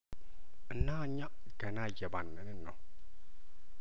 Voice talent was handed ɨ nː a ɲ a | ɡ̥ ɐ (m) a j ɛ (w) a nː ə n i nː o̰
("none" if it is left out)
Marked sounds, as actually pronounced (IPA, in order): n, b

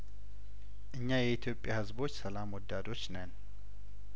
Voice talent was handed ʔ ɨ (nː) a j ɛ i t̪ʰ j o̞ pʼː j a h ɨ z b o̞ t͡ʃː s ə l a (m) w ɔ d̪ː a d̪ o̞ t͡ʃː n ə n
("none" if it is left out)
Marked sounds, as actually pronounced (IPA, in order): ɲː, m

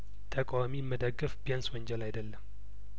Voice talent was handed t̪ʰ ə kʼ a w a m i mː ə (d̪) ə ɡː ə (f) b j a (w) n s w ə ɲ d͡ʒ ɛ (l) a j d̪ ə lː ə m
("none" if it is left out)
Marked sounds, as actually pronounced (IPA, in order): d̪, f, none, l

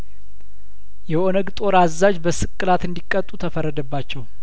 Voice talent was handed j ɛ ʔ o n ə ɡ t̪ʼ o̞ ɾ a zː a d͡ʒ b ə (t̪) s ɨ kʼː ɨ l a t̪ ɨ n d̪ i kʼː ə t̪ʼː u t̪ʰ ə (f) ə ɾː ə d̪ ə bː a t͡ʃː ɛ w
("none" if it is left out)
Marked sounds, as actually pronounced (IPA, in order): none, f

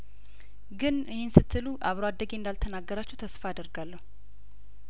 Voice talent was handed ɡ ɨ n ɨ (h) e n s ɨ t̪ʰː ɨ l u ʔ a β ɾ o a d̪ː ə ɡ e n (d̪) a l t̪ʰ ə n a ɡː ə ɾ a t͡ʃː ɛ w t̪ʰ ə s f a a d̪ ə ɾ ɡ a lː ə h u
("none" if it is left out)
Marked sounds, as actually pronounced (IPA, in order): h, d̪

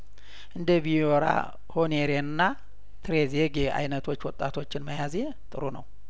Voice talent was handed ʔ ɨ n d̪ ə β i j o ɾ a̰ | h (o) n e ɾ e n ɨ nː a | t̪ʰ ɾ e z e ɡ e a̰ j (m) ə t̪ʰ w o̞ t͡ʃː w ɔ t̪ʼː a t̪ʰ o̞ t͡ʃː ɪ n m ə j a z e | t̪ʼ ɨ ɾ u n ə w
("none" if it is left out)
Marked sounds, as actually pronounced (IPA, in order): o, n

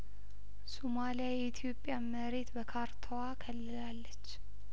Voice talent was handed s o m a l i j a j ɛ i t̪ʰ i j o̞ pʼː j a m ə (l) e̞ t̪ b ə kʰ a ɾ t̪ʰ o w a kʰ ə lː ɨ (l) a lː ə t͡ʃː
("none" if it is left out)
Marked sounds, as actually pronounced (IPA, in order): ɾ, l

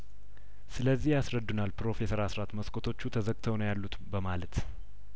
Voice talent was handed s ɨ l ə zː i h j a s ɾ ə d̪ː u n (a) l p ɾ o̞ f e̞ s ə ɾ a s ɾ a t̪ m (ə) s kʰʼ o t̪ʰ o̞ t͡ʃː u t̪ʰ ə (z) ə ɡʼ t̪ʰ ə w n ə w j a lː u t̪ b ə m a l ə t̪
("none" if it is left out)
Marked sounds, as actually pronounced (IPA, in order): a, ə, z

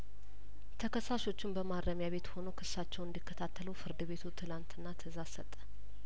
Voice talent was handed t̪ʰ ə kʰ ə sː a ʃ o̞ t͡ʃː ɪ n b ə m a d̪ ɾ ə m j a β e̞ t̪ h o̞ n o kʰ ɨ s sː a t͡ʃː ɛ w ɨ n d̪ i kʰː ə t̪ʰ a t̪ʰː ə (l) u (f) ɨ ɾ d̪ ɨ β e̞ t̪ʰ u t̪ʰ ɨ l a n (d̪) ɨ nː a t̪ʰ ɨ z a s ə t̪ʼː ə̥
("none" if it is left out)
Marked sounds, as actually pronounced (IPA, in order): l, f, t̪

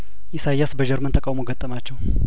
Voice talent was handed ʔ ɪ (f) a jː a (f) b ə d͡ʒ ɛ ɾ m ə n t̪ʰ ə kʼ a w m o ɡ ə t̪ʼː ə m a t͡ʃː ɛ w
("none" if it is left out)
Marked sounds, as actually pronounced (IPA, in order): s, s

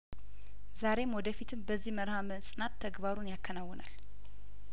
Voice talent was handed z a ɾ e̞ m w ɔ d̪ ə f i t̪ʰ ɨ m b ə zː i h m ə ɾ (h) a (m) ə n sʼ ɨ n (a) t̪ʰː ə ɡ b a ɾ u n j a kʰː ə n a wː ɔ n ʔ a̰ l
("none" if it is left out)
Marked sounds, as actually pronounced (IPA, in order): h, m, a

